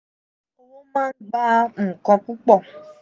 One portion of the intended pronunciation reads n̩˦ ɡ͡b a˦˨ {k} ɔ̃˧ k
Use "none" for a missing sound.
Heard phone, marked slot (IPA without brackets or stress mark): k